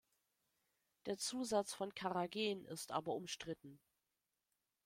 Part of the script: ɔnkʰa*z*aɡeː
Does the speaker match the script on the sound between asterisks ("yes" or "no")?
no